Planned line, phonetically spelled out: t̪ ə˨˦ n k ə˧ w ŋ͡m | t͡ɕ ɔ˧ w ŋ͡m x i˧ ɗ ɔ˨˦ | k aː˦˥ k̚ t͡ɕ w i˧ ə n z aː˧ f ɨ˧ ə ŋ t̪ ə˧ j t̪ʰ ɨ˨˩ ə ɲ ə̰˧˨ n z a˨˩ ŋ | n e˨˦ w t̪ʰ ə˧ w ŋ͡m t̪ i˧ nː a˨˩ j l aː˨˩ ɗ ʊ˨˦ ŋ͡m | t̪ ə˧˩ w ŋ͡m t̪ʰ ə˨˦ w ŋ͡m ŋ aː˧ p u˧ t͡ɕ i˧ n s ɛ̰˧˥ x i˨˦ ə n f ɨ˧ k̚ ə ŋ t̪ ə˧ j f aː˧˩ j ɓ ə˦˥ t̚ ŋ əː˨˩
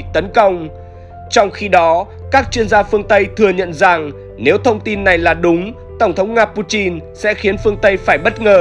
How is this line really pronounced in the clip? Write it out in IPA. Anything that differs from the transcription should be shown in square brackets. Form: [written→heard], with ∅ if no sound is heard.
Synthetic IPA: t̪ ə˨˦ n k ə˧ w ŋ͡m | t͡ɕ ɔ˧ w ŋ͡m x i˧ ɗ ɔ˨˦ | k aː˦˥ k̚ t͡ɕ w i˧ ə n z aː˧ f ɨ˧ ə ŋ t̪ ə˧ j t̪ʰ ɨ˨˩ ə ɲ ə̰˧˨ n z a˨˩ ŋ | n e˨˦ w t̪ʰ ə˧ w ŋ͡m t̪ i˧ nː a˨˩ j l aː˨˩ ɗ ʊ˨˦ ŋ͡m | t̪ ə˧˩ w ŋ͡m t̪ʰ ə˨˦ w ŋ͡m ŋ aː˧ p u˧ t͡ɕ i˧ n s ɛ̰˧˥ x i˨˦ ə n f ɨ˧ [k̚→∅] ə ŋ t̪ ə˧ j f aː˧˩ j ɓ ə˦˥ t̚ ŋ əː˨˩